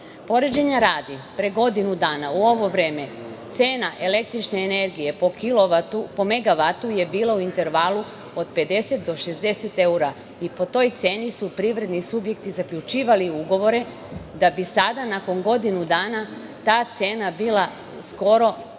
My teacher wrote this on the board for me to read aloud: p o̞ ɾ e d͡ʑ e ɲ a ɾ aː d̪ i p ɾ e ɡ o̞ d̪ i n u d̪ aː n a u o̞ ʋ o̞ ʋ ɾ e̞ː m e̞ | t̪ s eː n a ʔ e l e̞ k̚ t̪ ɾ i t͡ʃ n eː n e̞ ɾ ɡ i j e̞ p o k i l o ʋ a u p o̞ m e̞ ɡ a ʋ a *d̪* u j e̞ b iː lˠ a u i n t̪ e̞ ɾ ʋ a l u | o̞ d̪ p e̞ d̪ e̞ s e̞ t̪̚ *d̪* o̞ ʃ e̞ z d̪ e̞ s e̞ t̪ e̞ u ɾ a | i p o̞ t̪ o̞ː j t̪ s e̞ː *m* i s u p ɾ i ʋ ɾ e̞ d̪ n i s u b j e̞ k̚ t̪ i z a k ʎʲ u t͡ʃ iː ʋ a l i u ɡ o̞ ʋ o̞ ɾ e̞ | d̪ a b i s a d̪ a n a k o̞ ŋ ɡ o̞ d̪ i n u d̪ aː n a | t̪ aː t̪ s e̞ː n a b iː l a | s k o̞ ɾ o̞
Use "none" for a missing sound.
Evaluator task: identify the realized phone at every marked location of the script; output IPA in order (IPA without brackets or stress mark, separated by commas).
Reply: t̪, d̪, n